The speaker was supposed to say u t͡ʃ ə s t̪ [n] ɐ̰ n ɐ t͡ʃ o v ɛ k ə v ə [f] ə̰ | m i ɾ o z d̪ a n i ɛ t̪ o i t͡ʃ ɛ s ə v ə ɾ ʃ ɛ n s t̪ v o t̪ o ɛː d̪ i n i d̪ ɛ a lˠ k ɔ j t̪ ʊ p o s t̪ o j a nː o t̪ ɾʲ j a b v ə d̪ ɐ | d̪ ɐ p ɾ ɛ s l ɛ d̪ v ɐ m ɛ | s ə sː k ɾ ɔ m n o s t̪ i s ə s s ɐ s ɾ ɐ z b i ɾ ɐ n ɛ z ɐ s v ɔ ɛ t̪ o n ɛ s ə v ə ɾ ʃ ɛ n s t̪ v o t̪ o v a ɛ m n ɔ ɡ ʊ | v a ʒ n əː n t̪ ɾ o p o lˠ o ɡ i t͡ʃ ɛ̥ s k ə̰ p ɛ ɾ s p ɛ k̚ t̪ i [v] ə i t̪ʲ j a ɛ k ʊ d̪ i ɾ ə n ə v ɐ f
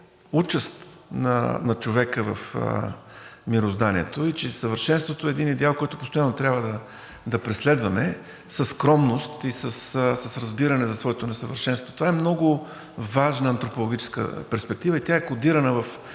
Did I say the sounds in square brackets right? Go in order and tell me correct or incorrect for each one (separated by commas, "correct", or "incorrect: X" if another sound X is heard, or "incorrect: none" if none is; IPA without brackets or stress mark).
correct, correct, correct